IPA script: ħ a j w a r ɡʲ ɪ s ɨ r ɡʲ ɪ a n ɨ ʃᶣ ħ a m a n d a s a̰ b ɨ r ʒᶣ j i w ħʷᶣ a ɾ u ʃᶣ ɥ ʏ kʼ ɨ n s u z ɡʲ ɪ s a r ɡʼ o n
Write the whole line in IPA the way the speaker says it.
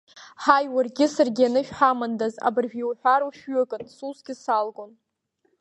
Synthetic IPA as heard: ħ a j w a r ɡʲ ɪ s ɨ r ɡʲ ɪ a n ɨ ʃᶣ ħ a m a n d a z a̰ b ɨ r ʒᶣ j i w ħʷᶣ a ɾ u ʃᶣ ɥ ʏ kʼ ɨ n s u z ɡʲ ɪ s a l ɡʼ o n